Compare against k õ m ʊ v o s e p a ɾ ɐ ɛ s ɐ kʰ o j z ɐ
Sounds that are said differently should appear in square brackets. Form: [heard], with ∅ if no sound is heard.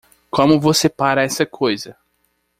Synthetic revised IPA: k õ m ʊ v o s e p a ɾ ɐ ɛ s ɐ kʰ o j z ɐ